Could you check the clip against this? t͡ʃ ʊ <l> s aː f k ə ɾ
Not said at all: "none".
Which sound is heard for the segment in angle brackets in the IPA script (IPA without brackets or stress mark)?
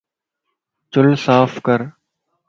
l